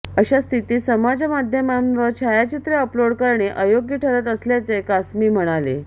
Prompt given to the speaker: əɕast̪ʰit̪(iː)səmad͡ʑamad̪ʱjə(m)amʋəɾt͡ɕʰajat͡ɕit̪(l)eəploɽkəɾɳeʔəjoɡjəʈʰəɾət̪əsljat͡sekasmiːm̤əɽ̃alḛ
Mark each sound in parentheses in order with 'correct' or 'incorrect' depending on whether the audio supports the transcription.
correct, correct, incorrect: ɾ

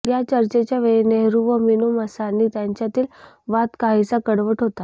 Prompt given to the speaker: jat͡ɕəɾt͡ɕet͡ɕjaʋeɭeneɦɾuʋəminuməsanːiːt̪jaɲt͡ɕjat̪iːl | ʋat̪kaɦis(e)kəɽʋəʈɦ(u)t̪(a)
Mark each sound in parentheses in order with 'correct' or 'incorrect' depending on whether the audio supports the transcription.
incorrect: a, incorrect: o, correct

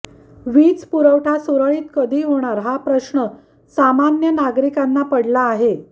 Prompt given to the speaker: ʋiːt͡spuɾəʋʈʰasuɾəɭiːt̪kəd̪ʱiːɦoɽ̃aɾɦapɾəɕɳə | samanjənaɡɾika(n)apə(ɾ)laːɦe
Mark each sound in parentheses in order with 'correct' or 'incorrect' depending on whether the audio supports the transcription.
incorrect: nː, incorrect: ɽ

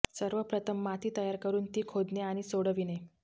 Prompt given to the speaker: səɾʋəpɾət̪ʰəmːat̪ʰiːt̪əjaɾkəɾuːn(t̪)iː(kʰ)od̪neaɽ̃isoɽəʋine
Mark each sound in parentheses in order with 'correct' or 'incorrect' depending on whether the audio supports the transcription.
correct, correct

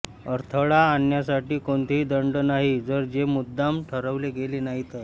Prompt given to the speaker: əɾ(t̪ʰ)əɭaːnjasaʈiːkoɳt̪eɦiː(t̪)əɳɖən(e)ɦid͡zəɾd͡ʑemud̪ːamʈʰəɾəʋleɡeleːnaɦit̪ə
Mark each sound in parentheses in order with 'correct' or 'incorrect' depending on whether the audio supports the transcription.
correct, incorrect: d̪, incorrect: a

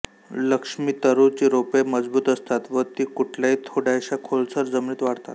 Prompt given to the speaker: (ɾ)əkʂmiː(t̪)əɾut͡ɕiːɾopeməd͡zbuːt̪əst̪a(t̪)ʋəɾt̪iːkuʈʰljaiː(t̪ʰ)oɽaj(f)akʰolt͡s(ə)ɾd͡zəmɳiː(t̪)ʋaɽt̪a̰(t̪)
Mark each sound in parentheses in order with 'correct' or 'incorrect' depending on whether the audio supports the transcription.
incorrect: l, correct, correct, correct, incorrect: ɕ, correct, correct, correct

